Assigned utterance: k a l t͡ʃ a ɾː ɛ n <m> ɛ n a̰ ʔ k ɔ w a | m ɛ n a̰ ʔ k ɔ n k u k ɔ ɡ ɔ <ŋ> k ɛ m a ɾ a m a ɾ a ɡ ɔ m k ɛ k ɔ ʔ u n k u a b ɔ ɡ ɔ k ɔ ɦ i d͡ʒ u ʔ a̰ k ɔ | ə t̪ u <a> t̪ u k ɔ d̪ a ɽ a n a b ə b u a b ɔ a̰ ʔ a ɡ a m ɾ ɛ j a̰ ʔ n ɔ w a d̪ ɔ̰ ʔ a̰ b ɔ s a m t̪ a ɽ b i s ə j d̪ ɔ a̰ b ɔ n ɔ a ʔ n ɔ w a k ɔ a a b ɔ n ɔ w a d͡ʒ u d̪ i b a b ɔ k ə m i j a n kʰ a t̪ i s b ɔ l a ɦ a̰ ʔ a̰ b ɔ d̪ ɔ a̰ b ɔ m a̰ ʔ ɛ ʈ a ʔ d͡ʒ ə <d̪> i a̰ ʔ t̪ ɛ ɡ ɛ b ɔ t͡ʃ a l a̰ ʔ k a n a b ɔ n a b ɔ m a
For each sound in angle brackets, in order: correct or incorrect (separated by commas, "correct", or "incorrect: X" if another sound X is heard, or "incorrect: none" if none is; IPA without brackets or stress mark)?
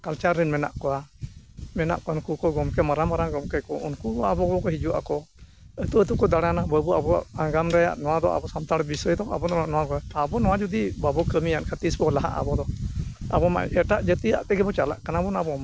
correct, incorrect: m, incorrect: ə, incorrect: t̪